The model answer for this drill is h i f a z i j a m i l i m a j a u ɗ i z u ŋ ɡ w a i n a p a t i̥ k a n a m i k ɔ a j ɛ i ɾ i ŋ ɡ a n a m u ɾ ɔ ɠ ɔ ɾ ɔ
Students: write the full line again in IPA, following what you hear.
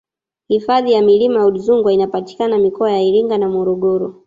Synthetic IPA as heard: h i f a ð i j a m i l i m a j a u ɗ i z u ŋ ɡ w a i n a p a t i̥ k a n a m i k ɔ a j a i ɾ i ŋ ɡ a n a m ɔ ɾ ɔ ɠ ɔ ɾ ɔ